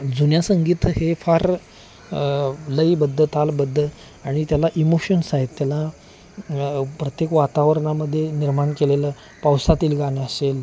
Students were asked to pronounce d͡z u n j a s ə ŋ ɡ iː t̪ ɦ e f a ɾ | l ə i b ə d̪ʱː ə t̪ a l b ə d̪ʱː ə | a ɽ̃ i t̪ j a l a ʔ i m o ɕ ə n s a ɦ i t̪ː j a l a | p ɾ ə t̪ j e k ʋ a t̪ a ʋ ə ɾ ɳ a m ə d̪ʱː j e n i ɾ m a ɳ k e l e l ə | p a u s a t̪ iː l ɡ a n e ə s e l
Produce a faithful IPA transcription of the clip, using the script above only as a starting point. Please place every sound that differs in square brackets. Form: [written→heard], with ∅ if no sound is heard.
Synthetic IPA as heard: d͡z u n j a s ə ŋ ɡ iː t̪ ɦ e f a ɾ | l ə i b ə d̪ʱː ə t̪ a l b ə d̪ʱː ə | a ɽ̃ i t̪ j a l a ʔ i m o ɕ ə n s a ɦ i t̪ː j a l a | p ɾ ə t̪ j e k ʋ a t̪ a ʋ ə ɾ ɳ a m ə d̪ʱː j e n i ɾ m a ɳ k e l e l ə | p a [u→w] s a t̪ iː l ɡ a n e ə s e l